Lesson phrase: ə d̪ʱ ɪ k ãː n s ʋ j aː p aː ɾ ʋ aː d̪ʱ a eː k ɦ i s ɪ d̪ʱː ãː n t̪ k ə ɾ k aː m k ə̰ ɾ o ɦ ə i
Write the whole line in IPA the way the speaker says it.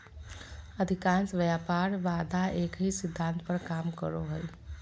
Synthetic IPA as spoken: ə d̪ʱ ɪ k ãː n s ʋ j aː p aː ɾ ʋ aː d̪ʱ a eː k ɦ i s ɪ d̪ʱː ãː n t̪ p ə ɾ k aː m k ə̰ ɾ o ɦ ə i